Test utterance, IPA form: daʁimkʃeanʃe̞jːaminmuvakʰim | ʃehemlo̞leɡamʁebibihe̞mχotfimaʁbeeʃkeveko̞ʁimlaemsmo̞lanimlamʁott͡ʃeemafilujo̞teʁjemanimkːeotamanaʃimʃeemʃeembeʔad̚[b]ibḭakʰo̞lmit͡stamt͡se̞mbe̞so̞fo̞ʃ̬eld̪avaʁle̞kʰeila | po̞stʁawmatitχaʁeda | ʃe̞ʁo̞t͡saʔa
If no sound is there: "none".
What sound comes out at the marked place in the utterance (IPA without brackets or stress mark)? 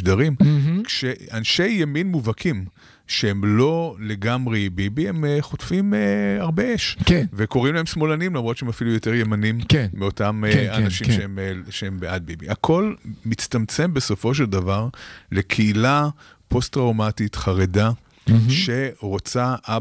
b